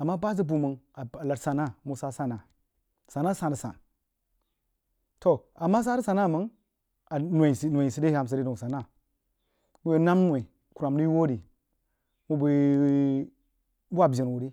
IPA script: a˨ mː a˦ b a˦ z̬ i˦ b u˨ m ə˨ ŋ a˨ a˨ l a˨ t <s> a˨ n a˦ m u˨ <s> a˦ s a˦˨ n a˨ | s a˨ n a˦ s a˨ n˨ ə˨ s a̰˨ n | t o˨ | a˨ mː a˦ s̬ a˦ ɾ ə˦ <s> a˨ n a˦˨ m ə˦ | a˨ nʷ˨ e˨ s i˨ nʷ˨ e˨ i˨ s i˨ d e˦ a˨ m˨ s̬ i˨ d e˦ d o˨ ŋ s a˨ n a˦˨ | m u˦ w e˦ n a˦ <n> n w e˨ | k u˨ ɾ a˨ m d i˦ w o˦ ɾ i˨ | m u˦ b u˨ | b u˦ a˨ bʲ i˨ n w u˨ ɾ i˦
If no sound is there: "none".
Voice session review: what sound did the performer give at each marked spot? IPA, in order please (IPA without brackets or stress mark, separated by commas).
s, s, s, m